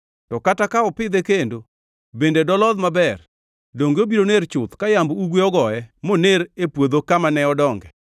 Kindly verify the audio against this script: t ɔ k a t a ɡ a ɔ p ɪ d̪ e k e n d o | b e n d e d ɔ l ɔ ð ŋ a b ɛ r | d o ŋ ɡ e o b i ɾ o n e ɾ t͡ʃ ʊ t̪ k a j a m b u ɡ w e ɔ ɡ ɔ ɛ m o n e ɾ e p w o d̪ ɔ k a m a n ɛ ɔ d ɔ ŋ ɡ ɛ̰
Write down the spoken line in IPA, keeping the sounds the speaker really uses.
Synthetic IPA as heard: t ɔ k a t a k a ɔ p ɪ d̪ e k e n d o | b e n d e d ɔ l ɔ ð m a b ɛ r | d o ŋ ɡ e o b i ɾ o n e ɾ t͡ʃ ʊ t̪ k a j a m b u ɡ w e ɔ ɡ ɔ ɛ m o n e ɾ e p w o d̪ o k a m a n ɛ ɔ d ɔ ŋ ɡ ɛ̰